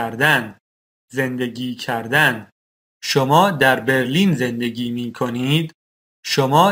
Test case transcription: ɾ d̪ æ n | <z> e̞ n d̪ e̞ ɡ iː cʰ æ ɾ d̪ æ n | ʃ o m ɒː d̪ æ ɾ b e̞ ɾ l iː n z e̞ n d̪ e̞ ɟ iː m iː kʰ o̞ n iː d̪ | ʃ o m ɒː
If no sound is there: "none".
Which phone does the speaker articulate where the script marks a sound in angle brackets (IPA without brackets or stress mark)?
z